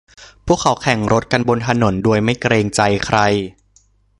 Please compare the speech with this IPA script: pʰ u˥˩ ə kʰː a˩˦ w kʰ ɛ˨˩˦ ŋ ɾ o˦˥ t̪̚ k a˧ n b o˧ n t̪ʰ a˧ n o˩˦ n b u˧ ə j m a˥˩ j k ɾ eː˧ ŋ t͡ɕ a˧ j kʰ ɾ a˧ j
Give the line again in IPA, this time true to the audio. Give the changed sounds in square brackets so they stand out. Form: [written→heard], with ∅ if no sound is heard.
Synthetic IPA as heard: pʰ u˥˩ ə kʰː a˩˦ w kʰ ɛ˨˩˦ ŋ ɾ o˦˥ t̪̚ k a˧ n b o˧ n t̪ʰ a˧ n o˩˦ n [b→d] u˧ ə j m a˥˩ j k ɾ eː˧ ŋ t͡ɕ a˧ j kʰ ɾ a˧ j

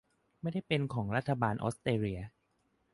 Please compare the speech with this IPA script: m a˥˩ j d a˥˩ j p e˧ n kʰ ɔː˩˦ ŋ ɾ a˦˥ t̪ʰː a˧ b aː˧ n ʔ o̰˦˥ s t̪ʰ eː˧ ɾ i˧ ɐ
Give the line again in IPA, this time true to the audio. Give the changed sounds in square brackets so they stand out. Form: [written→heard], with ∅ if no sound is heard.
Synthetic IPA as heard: m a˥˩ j d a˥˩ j p e˧ n kʰ ɔː˩˦ ŋ ɾ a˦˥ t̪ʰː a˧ b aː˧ n ʔ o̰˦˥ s [t̪ʰ→t̪] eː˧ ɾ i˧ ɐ

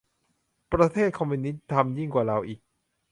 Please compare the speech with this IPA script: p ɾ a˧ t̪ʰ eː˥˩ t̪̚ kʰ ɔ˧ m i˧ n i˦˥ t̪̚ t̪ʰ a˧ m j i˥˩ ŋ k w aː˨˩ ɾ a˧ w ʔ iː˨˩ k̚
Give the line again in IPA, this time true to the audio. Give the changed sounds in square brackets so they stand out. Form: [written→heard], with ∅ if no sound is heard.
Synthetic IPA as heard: p ɾ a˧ t̪ʰ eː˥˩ t̪̚ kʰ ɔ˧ m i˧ n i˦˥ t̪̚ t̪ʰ a˧ m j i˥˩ ŋ k w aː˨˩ ɾ a˧ w ʔ iː˨˩ k̚

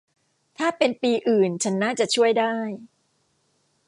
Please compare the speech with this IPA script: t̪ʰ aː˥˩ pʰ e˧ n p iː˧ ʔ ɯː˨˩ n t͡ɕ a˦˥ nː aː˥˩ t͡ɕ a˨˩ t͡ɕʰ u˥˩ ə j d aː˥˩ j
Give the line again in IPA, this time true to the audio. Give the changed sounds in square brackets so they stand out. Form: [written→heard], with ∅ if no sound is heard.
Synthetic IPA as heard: t̪ʰ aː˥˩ [pʰ→p] e˧ n p iː˧ ʔ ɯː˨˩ n [t͡ɕ→t͡ɕʰ] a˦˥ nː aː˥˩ t͡ɕ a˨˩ t͡ɕʰ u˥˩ ə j d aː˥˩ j

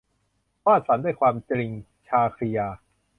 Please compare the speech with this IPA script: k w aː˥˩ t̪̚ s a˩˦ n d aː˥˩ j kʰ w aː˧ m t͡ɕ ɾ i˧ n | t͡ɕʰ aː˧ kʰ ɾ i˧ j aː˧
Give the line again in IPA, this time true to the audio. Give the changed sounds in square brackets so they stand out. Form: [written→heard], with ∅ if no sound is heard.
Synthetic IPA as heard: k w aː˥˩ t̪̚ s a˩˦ n d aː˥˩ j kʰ w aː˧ m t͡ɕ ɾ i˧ [n→ŋ] | t͡ɕʰ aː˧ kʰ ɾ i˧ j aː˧

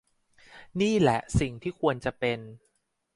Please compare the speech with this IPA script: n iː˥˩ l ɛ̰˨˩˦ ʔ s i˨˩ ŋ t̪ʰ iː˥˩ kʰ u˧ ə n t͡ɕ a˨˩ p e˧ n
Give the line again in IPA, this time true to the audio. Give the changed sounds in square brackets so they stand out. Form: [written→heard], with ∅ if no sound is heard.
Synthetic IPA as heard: n iː˥˩ l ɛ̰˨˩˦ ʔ s i˨˩ ŋ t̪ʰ iː˥˩ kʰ u˧ ə n t͡ɕ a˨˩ p e˧ n

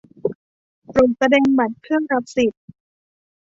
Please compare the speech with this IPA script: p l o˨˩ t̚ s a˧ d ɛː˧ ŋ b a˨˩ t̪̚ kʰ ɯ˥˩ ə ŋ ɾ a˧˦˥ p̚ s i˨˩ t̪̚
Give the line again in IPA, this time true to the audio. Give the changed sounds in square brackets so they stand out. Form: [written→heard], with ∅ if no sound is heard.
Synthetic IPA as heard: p [l→ɾ] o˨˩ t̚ s a˧ d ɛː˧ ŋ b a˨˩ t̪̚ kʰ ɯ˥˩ ə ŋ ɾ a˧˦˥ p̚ s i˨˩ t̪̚

